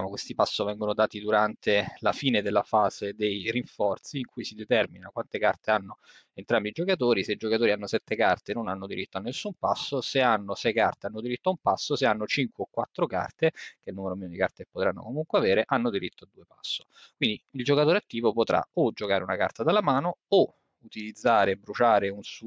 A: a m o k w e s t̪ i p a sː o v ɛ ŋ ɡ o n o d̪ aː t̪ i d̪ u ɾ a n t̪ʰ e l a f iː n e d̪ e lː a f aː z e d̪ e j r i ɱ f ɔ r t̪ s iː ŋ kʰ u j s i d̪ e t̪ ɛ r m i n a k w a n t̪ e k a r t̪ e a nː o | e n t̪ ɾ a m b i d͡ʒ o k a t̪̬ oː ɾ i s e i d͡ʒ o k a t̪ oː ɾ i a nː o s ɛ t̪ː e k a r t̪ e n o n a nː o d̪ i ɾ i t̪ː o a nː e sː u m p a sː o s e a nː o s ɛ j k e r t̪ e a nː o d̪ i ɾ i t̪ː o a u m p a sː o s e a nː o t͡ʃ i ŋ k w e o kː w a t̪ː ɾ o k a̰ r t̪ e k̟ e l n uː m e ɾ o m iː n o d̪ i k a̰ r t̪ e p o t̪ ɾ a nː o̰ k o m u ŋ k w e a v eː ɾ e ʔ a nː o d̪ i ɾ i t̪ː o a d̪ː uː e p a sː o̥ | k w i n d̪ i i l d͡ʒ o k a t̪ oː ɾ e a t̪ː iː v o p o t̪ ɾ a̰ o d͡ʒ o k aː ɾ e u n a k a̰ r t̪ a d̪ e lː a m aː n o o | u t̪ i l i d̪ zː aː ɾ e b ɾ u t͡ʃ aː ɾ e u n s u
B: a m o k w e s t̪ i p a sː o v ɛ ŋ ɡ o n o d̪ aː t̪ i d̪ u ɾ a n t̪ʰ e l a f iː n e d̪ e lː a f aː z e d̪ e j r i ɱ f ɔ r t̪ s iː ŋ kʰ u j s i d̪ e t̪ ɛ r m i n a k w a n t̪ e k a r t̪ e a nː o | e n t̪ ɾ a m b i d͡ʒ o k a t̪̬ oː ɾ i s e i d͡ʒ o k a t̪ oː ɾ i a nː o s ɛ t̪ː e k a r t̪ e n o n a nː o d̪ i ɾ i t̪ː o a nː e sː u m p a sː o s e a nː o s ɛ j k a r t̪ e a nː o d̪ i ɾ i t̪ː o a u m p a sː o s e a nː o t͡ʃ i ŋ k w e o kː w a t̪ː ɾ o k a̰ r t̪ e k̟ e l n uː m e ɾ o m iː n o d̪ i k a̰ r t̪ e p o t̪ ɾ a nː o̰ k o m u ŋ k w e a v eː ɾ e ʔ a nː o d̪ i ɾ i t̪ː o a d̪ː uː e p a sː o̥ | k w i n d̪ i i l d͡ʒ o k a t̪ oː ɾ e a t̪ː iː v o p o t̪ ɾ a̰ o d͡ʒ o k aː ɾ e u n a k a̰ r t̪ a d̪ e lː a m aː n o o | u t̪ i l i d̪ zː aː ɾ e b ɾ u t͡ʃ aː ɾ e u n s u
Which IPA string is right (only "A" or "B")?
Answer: B